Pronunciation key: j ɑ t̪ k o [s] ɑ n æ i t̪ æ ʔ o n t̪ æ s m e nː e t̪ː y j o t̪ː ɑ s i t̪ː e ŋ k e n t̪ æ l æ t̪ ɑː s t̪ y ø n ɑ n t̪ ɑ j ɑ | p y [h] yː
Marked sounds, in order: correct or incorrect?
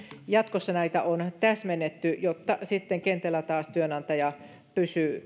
incorrect, incorrect

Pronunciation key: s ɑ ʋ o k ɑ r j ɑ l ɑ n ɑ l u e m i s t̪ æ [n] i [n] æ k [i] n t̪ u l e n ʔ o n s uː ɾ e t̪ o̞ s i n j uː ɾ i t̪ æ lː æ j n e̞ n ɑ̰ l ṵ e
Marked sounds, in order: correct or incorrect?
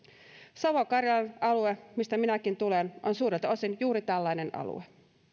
incorrect, correct, correct

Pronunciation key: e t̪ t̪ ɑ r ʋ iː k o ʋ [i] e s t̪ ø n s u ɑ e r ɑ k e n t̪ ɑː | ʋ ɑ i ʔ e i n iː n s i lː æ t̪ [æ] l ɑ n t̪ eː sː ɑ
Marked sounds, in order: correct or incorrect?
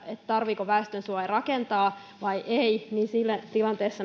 incorrect, incorrect

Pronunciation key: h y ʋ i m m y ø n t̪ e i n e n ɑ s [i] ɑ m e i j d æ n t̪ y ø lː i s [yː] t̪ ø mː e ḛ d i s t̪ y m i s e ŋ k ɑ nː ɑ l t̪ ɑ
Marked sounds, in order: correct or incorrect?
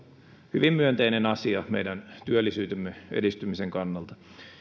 correct, correct

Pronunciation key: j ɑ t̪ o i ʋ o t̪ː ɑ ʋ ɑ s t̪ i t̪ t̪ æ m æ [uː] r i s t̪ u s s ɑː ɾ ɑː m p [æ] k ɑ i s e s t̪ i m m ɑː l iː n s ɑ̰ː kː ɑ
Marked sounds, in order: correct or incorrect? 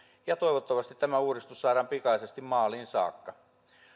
correct, incorrect

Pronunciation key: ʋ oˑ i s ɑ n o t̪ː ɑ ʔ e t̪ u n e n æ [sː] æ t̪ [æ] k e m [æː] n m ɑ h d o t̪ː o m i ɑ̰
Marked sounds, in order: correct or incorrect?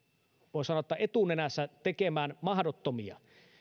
correct, incorrect, correct

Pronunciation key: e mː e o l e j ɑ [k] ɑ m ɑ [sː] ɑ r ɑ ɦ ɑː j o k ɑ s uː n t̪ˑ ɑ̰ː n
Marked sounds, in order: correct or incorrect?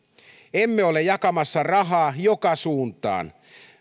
correct, correct

